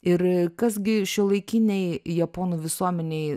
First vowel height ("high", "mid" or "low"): high